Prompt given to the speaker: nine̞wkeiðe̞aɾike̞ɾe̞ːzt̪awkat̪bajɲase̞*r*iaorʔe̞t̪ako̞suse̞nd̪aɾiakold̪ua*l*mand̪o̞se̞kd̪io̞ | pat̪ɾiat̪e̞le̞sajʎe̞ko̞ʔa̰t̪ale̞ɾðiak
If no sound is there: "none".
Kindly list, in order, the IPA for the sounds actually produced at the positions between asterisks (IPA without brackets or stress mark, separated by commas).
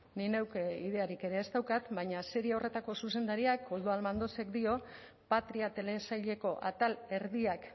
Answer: ɾ, l